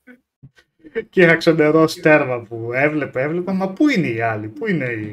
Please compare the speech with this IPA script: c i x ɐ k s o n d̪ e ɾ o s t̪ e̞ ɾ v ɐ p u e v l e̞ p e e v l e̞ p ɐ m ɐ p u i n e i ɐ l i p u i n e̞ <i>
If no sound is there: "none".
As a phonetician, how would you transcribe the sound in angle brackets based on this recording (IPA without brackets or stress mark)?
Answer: i